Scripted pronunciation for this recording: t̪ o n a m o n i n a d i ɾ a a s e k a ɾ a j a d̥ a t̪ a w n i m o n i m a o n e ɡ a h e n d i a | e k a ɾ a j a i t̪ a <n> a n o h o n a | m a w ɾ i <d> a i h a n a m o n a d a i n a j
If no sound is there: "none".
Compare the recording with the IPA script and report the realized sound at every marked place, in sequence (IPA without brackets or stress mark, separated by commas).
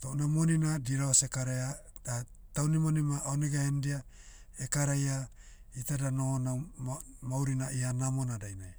d, n